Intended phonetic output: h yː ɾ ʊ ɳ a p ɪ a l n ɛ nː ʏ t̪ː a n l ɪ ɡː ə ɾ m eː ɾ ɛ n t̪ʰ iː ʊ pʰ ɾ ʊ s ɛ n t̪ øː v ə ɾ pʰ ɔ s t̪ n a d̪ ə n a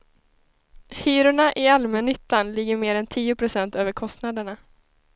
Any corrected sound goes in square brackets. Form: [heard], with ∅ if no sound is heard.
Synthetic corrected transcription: h yː ɾ ʊ ɳ a [ʔ] ɪ a l [m] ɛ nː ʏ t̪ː a n l ɪ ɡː ə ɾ m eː ɾ ɛ n t̪ʰ iː ʊ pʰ ɾ ʊ s ɛ n t̪ øː v ə ɾ [kʰ] ɔ s t̪ n a d̪ ə [ɳ] a